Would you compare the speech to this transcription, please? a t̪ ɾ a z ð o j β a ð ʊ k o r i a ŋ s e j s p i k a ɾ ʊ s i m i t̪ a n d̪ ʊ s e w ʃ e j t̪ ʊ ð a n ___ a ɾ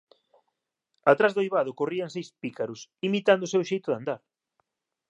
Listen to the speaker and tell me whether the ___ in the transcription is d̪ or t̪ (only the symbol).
d̪